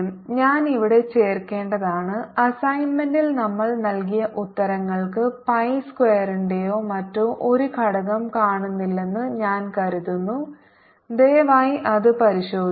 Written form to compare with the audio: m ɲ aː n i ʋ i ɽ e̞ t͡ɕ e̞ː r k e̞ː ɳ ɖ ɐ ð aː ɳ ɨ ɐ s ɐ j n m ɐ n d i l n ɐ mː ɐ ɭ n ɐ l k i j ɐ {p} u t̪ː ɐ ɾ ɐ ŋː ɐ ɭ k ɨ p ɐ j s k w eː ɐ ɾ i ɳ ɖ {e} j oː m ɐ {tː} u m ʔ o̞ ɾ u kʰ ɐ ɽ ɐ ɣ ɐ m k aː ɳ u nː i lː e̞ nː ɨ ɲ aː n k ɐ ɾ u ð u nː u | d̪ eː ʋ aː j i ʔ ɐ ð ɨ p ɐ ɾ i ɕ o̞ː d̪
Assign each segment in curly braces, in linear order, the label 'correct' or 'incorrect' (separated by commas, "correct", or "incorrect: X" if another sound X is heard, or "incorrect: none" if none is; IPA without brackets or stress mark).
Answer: incorrect: ʔ, correct, correct